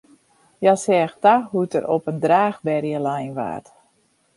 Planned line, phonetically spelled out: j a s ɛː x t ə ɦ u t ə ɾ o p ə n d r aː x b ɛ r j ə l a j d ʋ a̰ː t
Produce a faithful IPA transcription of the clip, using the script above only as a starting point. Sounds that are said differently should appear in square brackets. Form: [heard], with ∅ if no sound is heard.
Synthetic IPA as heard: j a s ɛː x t [a] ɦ u t ə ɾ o p ə n d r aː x b ɛ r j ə l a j [n] ʋ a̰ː t

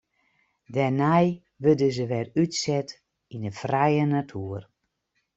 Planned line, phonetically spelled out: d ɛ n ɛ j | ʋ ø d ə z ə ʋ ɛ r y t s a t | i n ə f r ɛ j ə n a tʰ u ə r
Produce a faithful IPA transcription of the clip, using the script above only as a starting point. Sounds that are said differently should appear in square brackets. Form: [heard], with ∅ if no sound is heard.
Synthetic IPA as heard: d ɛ n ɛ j | ʋ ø d ə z ə ʋ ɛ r y t s [ɛ] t | i n ə f r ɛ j ə n a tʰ u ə r

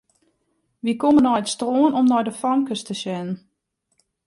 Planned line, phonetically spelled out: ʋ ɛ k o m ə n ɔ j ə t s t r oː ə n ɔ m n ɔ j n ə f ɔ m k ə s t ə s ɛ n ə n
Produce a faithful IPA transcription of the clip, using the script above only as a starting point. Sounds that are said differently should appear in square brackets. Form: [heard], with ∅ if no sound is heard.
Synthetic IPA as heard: ʋ [i] k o m ə n ɔ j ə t s t r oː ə n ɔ m n ɔ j [d] ə f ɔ [ŋ] k ə s t ə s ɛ n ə n

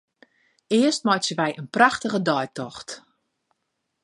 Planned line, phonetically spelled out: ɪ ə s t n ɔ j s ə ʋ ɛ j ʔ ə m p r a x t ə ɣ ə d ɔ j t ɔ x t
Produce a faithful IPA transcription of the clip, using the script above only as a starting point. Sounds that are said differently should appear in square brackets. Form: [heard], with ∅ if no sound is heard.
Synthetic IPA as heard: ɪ ə s t [m] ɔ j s ə ʋ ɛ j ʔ ə [n] p r a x t ə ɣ ə d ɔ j t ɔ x t

